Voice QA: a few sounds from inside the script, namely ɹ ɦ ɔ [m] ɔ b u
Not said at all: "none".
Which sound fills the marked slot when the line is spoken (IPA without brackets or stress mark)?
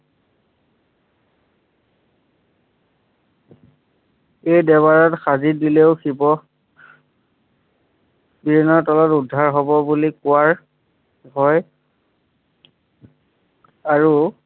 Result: b